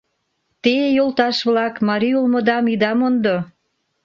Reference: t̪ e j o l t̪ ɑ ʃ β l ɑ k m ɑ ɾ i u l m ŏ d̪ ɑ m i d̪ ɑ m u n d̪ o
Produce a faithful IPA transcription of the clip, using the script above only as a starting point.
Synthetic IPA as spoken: t̪ e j o l t̪ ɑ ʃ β l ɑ k m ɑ ɾ i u l m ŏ d̪ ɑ m i d̪ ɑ m o n d̪ o

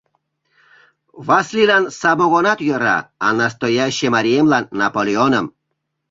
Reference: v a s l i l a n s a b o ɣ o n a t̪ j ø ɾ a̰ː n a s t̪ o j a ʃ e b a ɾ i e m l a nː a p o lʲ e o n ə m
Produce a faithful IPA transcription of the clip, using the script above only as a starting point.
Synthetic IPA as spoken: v a s l i l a n s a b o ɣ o n a t̪ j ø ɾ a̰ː n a s t̪ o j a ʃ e m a ɾ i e m l a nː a p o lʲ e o n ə m

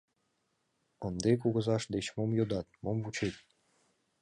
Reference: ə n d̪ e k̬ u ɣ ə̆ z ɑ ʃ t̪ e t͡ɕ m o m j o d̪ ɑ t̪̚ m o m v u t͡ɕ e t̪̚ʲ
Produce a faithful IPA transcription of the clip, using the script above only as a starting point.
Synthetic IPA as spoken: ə n d̪ e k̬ u ɣ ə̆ z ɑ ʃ d̪ e t͡ɕ m o m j o d̪ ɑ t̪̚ m o m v u t͡ɕ e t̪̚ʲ

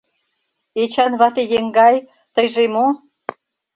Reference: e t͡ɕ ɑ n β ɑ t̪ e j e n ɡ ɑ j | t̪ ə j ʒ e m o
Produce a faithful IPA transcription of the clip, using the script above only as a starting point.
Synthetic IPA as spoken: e t͡ɕ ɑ n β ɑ t̪ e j e ŋ ɡ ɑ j | t̪ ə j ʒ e m o

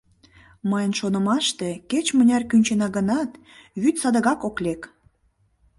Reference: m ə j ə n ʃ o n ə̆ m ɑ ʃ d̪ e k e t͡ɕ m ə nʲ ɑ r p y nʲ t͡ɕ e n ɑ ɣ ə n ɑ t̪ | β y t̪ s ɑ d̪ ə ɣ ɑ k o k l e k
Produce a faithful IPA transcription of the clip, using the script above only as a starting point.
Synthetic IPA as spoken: m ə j ə n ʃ o n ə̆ m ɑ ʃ t̪ e k e t͡ɕ m ə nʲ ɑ r k y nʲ t͡ɕ e n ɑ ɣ ə n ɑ t̪ | β y t̪ s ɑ d̪ ə ɣ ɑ k o k l e k

